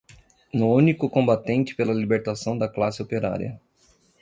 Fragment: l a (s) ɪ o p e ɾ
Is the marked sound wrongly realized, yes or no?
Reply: no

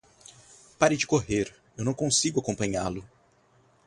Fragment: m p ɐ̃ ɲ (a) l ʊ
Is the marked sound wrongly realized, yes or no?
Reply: no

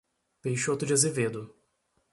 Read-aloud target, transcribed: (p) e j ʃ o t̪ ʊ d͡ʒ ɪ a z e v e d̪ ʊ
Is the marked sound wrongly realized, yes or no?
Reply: no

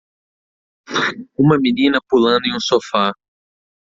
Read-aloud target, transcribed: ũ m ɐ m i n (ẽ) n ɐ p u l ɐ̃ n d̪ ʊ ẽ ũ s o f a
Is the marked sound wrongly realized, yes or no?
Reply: yes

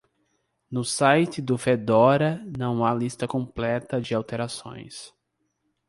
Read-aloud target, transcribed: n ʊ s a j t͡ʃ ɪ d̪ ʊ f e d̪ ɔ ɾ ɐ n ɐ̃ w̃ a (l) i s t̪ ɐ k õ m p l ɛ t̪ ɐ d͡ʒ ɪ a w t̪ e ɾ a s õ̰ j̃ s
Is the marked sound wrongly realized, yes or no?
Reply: no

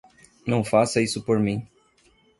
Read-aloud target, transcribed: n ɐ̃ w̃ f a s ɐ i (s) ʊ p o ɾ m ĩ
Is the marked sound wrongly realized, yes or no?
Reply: no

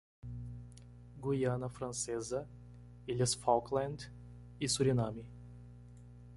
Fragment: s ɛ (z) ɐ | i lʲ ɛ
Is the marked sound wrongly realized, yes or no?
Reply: no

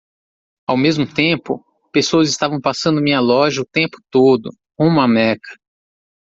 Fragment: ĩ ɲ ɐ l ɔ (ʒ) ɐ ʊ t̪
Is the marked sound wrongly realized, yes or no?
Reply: no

